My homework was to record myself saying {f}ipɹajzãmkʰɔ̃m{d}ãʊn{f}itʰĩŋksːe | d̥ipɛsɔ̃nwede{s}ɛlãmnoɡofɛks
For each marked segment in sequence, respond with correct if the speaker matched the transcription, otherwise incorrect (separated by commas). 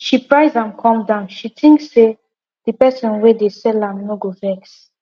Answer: incorrect, correct, incorrect, correct